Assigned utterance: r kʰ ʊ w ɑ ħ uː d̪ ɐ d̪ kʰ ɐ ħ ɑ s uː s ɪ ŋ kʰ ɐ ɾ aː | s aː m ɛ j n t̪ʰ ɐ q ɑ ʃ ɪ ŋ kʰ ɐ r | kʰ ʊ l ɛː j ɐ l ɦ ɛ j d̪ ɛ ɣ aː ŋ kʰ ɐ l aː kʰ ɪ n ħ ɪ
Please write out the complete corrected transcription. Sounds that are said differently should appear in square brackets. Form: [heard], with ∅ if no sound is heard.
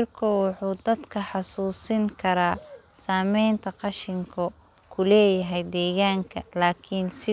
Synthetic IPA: r kʰ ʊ w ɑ ħ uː d̪ ɐ d̪ kʰ ɐ ħ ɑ s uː s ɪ ŋ kʰ ɐ ɾ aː | s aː m ɛ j n t̪ʰ ɐ q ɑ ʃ ɪ ŋ kʰ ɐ [∅] | kʰ ʊ l ɛː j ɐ [∅] ɦ ɛ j d̪ [ɛː] ɣ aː ŋ kʰ ɐ l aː kʰ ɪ n [s] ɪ